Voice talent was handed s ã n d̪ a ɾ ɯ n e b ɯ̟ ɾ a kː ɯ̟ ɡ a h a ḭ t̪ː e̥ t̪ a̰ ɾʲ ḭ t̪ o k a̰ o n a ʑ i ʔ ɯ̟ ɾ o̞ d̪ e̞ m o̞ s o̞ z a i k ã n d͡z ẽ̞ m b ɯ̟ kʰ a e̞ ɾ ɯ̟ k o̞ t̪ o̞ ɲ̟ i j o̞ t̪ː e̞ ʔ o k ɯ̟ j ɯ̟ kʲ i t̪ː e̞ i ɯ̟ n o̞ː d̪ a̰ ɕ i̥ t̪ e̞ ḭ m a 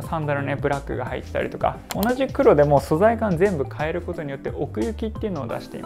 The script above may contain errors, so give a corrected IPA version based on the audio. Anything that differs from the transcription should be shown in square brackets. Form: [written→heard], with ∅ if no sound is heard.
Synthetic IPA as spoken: s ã n d̪ a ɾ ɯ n e b ɯ̟ ɾ a kː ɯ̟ ɡ a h a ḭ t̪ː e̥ t̪ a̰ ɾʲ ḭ t̪ o k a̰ o n a ʑ i [ʔ→k] ɯ̟ ɾ o̞ d̪ e̞ m o̞ s o̞ z a i k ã n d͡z ẽ̞ m b ɯ̟ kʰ a e̞ ɾ ɯ̟ k o̞ t̪ o̞ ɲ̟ i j o̞ t̪ː e̞ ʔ o k ɯ̟ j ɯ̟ kʲ i t̪ː e̞ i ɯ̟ n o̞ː d̪ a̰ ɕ i̥ t̪ e̞ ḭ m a